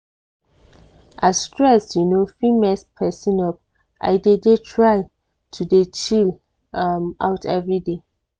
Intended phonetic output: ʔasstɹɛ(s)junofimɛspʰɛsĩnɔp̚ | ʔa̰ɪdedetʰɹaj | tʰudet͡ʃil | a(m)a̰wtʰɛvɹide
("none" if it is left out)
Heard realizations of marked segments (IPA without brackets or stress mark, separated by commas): s, m